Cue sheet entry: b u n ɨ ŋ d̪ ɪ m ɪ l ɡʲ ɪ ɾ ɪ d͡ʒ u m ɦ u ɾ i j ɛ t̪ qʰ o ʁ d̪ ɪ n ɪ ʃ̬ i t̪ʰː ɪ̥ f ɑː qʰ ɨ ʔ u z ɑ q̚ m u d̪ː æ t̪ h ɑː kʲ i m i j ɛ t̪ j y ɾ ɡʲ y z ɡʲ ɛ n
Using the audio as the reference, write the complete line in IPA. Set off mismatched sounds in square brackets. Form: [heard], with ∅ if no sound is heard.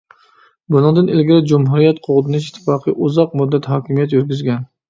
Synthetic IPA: b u n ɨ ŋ d̪ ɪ [n] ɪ l ɡʲ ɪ ɾ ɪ d͡ʒ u m ɦ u ɾ i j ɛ t̪ qʰ o ʁ d̪ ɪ n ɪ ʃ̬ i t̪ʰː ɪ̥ f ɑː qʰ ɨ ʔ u z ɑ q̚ m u d̪ː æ t̪ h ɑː kʲ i m i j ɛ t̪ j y ɾ ɡʲ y z ɡʲ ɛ n